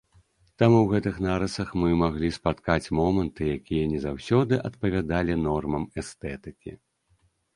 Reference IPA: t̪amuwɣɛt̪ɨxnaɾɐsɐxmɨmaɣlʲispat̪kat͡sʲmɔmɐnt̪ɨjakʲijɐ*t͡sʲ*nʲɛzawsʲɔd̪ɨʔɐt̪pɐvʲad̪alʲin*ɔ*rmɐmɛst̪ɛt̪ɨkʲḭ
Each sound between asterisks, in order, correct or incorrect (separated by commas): incorrect, correct